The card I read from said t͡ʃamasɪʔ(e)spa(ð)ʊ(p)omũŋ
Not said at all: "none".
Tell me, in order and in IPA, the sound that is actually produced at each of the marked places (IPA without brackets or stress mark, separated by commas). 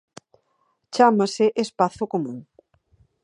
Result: e, θ, k